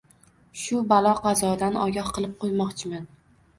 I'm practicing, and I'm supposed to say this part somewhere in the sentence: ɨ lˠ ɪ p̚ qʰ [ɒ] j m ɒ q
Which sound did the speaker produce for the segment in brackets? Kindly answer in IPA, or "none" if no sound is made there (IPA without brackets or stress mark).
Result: o